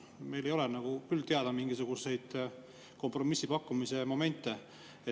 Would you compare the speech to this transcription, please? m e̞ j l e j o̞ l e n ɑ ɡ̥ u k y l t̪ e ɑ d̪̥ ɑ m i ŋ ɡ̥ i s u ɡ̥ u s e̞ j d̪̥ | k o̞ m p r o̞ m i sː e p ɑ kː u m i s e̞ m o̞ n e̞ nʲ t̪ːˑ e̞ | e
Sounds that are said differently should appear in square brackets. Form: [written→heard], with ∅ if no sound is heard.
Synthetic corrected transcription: m e̞ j l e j o̞ l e n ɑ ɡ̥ u k y l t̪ e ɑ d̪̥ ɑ m i ŋ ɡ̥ i s u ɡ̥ u s e̞ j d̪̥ | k o̞ m p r o̞ m i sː [e→i] p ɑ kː u m i s e̞ m o̞ [n→m] e̞ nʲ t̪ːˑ e̞ | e